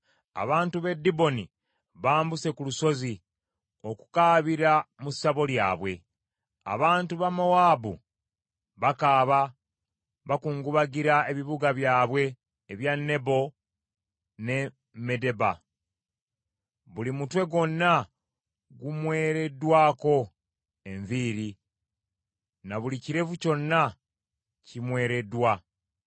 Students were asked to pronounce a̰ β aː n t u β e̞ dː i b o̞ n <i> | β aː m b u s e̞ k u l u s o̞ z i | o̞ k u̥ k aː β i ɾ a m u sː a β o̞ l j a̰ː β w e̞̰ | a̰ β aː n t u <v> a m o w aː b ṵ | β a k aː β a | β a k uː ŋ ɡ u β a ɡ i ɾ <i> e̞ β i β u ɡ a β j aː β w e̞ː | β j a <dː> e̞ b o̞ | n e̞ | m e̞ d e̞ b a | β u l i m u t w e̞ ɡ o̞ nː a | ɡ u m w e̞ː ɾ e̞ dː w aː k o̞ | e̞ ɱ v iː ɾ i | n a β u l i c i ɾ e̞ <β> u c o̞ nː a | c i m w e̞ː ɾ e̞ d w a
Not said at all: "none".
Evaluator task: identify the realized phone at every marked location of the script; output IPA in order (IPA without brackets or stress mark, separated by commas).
i, β, a, nː, v